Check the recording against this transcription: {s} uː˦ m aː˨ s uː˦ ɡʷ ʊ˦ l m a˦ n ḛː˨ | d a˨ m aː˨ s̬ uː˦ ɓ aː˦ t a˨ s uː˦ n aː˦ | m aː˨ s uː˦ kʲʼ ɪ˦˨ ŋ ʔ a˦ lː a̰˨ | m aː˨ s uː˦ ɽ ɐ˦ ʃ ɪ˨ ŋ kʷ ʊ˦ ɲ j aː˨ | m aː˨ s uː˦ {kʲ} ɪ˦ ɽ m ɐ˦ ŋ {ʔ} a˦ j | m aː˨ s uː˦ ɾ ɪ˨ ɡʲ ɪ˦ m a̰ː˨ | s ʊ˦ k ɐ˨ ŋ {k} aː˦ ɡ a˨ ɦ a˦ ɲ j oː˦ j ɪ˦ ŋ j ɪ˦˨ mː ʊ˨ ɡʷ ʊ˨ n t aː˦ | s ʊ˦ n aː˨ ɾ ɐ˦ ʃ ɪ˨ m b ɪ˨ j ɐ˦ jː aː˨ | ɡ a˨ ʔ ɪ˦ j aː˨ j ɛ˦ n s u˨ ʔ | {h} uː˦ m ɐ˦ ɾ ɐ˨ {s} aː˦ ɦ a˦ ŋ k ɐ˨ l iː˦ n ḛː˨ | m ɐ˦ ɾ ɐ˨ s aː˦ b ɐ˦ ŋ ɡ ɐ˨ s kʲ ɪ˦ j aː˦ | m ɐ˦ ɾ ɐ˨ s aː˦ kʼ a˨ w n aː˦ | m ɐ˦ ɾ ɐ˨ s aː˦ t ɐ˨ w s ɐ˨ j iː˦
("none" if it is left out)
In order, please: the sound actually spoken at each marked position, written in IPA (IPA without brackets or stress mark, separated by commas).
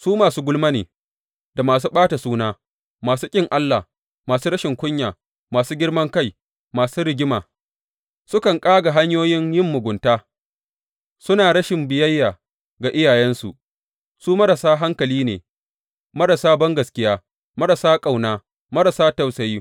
s, ɡʲ, k, kʼ, s, s